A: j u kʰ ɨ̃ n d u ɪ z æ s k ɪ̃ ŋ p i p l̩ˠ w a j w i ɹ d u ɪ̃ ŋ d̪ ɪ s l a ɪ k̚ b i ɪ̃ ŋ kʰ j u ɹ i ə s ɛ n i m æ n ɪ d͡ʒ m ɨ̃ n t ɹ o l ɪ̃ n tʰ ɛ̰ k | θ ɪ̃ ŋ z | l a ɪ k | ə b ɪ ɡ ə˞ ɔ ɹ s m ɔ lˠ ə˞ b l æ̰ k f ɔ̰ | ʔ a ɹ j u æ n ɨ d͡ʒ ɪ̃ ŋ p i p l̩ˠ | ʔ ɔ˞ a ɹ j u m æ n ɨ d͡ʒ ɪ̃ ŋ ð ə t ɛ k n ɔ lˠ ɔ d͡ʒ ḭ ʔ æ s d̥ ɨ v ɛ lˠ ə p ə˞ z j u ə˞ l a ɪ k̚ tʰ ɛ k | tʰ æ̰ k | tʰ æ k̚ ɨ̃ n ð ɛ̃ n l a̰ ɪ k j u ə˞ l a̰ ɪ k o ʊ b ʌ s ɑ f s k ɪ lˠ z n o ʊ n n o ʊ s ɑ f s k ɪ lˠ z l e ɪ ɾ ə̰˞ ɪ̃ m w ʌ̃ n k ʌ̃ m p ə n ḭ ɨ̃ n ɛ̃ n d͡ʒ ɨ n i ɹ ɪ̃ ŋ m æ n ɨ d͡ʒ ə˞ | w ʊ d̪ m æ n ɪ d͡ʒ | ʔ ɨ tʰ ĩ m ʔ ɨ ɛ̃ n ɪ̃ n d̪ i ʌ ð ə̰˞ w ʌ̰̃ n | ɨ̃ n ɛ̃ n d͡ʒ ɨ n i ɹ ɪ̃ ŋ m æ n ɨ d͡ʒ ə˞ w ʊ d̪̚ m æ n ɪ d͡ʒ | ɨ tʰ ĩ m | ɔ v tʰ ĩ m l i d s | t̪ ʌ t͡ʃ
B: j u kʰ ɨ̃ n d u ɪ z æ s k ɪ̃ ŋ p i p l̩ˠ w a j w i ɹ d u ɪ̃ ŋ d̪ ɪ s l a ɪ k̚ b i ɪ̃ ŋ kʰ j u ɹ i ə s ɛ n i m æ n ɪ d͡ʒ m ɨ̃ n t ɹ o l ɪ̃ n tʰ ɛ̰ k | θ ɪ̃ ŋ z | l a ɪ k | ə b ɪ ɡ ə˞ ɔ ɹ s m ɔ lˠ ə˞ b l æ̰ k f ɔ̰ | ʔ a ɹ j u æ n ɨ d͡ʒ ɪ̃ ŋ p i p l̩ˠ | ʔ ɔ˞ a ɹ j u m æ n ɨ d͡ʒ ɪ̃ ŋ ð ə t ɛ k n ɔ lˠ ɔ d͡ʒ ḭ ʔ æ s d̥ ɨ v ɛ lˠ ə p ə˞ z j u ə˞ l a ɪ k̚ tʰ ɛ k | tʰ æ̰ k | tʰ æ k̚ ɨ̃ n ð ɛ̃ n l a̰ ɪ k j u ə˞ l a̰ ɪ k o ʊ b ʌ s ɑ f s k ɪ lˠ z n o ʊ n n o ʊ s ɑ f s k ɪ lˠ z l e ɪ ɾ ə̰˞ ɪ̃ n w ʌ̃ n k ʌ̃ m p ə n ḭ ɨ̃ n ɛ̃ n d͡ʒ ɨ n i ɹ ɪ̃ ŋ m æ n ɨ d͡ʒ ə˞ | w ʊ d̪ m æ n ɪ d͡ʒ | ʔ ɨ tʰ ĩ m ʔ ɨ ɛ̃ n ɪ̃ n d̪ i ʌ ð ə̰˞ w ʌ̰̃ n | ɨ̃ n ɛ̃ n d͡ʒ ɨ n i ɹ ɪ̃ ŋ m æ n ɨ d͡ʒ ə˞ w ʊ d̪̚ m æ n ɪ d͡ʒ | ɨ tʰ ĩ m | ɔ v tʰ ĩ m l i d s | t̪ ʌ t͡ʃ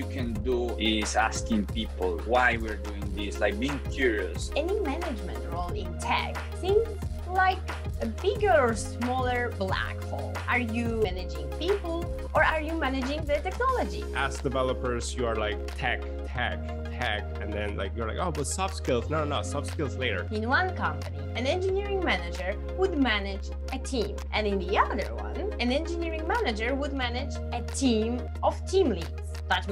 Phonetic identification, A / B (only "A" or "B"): B